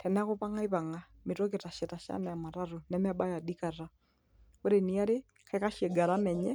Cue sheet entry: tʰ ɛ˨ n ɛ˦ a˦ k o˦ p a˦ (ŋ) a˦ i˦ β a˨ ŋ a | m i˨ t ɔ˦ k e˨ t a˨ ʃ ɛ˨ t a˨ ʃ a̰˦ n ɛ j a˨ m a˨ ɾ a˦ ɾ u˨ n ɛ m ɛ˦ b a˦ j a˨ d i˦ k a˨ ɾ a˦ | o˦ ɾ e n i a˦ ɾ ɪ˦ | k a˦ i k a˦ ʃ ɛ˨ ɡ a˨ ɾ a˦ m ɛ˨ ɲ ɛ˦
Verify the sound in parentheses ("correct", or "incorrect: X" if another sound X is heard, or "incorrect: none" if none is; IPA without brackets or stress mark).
correct